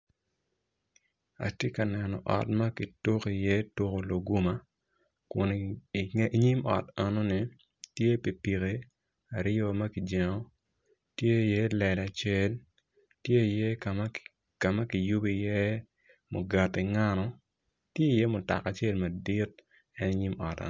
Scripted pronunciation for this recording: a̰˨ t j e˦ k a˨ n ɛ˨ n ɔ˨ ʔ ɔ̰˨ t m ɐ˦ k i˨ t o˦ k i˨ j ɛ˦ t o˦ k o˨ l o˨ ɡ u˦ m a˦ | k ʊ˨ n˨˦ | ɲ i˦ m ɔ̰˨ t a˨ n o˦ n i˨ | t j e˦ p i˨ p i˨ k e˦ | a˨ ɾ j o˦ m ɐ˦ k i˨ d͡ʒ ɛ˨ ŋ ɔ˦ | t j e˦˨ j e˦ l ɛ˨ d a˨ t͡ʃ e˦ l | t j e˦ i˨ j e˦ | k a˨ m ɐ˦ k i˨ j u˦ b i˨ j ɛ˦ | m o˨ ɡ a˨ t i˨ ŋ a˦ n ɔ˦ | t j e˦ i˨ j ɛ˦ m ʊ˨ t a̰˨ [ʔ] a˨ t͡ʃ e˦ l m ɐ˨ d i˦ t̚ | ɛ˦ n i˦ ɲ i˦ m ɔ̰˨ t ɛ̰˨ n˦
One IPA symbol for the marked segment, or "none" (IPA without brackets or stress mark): k